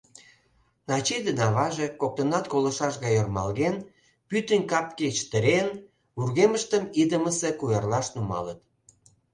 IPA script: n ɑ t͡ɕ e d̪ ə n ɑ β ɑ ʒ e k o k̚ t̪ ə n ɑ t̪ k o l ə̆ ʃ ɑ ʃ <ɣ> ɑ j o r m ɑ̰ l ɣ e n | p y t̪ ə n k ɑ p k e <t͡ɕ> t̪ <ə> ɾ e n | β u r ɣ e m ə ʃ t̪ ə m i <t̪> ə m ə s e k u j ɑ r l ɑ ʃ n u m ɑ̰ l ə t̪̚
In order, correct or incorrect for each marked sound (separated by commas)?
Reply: correct, correct, correct, incorrect